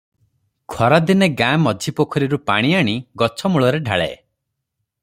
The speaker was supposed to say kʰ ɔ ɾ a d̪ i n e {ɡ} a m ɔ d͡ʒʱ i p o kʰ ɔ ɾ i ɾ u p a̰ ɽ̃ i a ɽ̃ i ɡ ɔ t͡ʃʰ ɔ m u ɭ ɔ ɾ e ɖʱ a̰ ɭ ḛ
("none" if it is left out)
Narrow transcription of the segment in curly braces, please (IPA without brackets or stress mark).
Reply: ɡ